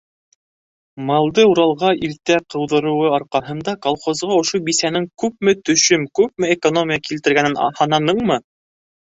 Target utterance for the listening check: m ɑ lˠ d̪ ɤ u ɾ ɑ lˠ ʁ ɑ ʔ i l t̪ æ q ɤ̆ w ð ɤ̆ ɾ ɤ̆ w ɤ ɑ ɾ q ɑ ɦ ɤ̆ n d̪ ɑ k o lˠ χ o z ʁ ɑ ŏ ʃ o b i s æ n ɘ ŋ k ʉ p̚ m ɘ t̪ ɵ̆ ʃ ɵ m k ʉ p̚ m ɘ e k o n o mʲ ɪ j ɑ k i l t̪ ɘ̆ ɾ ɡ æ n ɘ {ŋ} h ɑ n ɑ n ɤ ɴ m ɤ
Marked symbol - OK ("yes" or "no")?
no